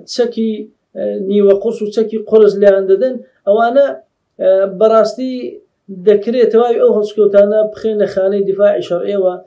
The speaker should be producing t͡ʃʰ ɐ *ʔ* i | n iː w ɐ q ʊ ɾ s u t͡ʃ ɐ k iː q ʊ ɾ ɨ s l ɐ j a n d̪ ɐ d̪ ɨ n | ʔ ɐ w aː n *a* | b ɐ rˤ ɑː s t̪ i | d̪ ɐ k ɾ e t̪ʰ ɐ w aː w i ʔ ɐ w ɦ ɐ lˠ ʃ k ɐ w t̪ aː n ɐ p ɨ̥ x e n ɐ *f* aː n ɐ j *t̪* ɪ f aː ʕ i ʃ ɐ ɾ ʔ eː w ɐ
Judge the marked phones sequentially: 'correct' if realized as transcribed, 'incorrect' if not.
incorrect, incorrect, incorrect, incorrect

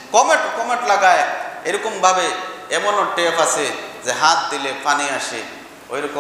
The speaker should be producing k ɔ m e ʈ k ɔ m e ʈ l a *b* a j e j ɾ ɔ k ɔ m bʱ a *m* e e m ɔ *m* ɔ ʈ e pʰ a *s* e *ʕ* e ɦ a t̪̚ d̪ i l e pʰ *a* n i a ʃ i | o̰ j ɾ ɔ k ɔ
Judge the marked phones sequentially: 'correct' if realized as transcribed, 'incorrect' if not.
incorrect, incorrect, incorrect, correct, incorrect, correct

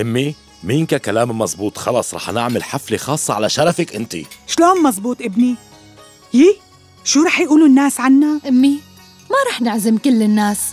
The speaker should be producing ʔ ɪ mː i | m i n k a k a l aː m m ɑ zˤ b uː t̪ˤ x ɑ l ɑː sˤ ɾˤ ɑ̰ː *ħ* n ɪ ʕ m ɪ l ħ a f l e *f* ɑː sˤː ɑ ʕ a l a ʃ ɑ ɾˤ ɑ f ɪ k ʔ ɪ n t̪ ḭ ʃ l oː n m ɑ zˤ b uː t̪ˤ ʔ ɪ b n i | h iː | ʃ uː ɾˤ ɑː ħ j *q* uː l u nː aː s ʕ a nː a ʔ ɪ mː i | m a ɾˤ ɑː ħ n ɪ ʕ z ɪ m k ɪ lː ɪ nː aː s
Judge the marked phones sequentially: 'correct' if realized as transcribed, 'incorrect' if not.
correct, incorrect, incorrect

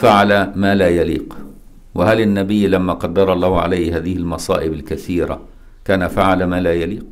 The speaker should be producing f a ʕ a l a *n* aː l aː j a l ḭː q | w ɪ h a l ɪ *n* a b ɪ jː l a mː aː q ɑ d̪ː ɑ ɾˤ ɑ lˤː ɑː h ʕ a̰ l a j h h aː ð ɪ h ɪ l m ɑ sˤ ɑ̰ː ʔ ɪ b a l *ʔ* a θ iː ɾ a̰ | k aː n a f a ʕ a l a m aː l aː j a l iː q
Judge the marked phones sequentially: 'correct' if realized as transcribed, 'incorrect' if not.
incorrect, incorrect, incorrect

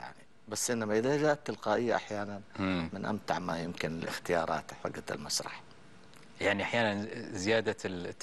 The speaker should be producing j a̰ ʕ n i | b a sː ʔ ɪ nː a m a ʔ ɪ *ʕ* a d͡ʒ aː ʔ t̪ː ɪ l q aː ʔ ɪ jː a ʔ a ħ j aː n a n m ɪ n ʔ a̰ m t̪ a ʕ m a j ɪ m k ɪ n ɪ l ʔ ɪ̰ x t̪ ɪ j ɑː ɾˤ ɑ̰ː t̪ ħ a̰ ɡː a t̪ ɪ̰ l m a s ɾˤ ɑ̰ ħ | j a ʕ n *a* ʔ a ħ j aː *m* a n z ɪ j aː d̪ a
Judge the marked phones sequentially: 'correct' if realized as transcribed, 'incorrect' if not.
incorrect, incorrect, incorrect

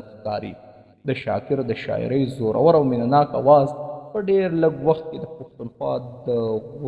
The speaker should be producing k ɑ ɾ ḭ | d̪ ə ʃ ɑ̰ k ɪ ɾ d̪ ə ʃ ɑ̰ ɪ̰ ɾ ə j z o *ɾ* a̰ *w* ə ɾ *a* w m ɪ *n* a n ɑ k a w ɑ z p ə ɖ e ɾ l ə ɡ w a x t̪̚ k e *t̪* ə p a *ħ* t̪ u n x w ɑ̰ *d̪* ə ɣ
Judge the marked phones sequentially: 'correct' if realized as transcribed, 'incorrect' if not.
correct, correct, correct, correct, incorrect, incorrect, correct

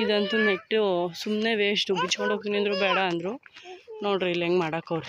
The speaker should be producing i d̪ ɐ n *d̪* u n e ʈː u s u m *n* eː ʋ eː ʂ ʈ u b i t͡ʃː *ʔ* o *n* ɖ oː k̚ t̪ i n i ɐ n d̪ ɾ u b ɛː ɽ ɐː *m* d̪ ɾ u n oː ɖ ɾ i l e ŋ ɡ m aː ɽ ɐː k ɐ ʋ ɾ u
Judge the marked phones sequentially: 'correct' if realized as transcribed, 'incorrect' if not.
incorrect, correct, incorrect, incorrect, incorrect

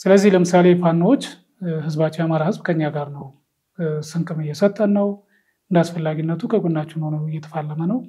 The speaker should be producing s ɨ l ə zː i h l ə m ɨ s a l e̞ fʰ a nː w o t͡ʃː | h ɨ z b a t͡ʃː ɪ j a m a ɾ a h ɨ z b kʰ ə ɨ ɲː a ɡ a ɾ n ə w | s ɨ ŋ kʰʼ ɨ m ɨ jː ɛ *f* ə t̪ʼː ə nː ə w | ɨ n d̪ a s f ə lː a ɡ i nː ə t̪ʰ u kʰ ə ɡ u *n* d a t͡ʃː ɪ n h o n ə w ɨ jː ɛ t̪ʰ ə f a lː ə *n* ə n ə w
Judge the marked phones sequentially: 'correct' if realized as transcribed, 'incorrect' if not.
incorrect, correct, incorrect

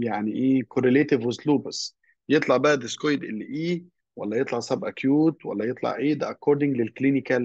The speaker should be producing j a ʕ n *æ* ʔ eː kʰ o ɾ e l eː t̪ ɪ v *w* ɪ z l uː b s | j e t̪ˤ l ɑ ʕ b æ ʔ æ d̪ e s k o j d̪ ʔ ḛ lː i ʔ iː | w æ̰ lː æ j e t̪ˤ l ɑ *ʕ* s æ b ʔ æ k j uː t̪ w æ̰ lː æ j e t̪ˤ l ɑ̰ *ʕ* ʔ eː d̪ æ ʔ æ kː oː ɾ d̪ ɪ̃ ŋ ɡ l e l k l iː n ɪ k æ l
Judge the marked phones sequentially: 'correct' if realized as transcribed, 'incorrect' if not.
incorrect, correct, correct, correct

